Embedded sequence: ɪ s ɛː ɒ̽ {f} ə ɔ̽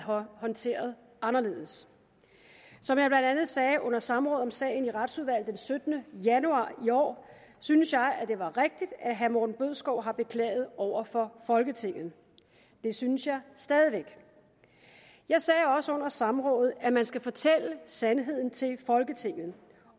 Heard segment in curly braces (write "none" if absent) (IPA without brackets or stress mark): s